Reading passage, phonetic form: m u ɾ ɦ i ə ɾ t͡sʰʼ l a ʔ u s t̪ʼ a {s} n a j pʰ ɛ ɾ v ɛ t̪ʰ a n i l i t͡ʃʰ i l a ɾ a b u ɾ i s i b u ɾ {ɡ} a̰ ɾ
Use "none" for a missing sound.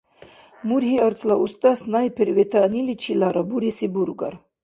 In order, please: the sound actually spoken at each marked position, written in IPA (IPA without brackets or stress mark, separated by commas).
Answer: s, ɡ